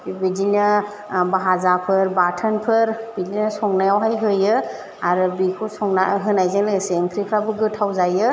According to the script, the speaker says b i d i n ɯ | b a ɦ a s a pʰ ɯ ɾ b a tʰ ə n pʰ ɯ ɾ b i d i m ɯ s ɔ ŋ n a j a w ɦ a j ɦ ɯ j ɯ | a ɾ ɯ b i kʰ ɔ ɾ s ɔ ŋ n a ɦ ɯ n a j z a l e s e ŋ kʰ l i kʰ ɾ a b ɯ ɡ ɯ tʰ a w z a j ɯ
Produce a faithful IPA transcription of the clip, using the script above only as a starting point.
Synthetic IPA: b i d i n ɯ | b a ɦ a z a pʰ ɯ ɾ b a tʰ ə n pʰ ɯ ɾ b i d i n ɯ s ɔ ŋ n a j a w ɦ a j ɦ ɯ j ɯ | a ɾ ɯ b i kʰ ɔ s ɔ ŋ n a ɦ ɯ n a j z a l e s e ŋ kʰ ɾ i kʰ ɾ a b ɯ ɡ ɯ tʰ a w z a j ɯ